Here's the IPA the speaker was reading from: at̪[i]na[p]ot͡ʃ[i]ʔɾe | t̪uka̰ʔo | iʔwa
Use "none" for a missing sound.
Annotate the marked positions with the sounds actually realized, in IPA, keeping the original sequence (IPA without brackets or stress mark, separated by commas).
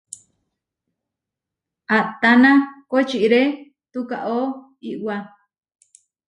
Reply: a, k, i